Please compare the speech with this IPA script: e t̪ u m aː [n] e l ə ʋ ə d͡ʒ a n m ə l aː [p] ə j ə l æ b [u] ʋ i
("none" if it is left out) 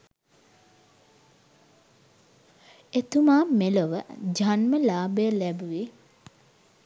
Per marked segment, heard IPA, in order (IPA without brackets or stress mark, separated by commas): m, b, u